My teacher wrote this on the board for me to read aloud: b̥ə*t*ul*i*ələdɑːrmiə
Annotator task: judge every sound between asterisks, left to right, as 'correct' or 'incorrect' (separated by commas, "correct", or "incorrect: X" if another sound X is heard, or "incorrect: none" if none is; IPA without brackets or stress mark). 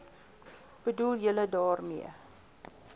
incorrect: d, incorrect: j